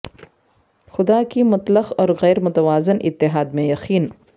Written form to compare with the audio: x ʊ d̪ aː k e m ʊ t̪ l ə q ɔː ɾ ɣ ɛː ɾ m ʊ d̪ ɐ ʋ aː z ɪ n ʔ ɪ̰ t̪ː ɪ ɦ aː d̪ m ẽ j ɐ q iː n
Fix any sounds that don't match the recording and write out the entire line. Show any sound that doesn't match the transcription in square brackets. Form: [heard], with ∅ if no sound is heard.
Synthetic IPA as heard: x ʊ d̪ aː k [i] m ʊ t̪ l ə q ɔː ɾ ɣ ɛː ɾ m ʊ [t̪] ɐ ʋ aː z ɪ n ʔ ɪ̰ t̪ː ɪ ɦ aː d̪ m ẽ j ɐ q iː n